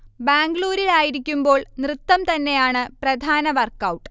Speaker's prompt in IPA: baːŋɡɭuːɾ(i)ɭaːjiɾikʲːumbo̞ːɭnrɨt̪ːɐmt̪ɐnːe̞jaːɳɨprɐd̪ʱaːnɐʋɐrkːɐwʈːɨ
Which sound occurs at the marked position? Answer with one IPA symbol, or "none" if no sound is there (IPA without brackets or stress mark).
i